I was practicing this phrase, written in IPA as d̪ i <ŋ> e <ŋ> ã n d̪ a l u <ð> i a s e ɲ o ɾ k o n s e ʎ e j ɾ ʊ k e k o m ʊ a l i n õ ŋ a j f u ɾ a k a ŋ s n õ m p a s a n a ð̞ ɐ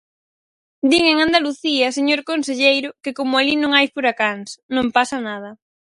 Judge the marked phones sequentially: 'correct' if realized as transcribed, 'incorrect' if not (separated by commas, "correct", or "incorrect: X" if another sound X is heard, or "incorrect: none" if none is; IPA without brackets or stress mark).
correct, correct, incorrect: θ